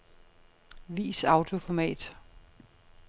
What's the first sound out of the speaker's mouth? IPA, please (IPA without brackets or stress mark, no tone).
ʋ